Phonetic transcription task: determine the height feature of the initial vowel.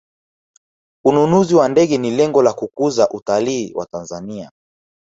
high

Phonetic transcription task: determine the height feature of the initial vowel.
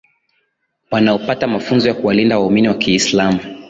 low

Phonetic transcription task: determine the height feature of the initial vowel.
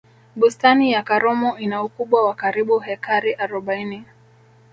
high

